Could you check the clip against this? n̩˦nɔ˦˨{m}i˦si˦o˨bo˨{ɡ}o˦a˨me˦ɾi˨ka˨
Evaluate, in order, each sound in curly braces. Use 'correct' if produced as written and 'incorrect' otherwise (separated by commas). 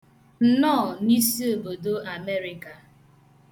incorrect, incorrect